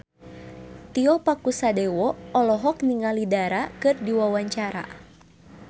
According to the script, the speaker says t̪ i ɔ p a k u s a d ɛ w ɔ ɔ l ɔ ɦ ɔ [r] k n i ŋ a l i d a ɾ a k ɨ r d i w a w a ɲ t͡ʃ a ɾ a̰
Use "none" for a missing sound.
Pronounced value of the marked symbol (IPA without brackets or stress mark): none